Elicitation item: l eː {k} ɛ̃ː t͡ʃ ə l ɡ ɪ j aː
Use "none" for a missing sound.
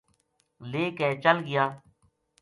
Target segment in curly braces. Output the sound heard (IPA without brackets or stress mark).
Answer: k